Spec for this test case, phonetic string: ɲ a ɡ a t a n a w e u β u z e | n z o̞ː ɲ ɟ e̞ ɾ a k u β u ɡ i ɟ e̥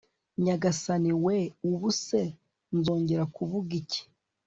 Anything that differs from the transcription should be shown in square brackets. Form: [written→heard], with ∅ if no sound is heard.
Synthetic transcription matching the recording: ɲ a ɡ a [t→s] a n [a→i] w e u β u [z→s] e | n z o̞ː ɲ ɟ e̞ ɾ a k u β u ɡ i [ɟ→c] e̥